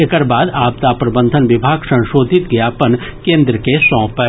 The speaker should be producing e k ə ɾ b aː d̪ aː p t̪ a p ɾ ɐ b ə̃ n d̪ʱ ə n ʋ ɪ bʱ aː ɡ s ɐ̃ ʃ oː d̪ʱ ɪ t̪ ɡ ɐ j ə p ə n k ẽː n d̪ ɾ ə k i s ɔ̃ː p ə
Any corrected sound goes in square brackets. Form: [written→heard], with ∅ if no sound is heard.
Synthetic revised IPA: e k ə ɾ b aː d̪ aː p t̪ a p ɾ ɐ b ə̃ n d̪ʱ ə n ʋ ɪ bʱ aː ɡ s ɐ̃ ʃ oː d̪ʱ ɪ t̪ ɡ ɐ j [ə→a] p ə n k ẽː n d̪ ɾ ə k [i→e] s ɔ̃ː p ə